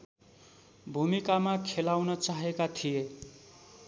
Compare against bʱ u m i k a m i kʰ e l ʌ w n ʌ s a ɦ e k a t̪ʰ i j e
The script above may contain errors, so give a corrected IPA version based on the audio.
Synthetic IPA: bʱ u m i k a m a kʰ e l a w n ʌ t͡s a ɦ e k a t̪ʰ i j e